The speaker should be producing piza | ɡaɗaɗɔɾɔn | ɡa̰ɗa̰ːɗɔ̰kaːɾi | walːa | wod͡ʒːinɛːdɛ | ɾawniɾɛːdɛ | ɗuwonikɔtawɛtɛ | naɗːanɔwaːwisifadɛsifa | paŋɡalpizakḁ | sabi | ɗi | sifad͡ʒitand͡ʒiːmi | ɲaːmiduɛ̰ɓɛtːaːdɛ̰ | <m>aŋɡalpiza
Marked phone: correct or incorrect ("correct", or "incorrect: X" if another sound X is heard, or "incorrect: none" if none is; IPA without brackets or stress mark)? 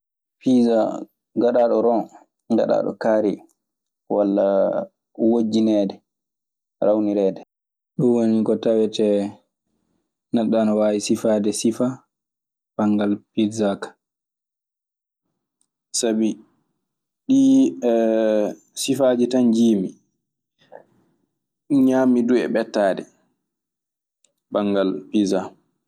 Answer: incorrect: b